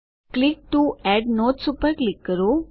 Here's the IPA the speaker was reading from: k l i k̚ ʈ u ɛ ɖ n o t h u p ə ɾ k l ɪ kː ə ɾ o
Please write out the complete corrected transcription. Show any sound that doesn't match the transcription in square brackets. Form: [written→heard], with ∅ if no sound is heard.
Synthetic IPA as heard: k l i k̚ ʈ u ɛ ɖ n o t [h→s] u p ə ɾ k l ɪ kː ə ɾ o